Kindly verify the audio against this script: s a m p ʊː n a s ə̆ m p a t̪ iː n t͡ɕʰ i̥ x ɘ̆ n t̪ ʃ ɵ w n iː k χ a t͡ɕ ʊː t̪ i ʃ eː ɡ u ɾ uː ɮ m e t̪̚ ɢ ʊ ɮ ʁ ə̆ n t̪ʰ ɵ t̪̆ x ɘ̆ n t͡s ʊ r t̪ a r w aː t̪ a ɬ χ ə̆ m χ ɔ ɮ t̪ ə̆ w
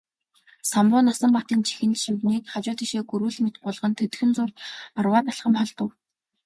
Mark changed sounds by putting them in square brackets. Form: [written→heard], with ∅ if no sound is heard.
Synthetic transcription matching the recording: s a m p ʊː n a s ə̆ m p a t̪ iː n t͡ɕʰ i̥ x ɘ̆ n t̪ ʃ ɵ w n iː k χ a t͡ɕ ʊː t̪ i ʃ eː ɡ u ɾ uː ɮ m e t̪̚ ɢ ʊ ɮ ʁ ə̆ n t̪ʰ ɵ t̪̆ x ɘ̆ n t͡s ʊ r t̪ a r w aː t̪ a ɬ χ ə̆ m χ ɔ ɮ t̪ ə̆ w